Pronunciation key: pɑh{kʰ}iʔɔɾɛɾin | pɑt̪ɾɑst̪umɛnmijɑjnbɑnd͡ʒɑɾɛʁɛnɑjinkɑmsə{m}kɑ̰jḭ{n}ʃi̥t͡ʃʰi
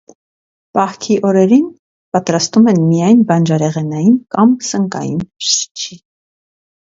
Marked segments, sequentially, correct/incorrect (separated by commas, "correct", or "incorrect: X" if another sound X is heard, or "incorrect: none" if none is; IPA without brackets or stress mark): correct, incorrect: ŋ, correct